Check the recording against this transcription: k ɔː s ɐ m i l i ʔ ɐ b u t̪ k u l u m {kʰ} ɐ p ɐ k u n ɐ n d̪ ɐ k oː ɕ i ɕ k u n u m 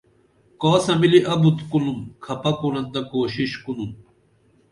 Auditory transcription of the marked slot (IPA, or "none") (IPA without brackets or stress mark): kʰ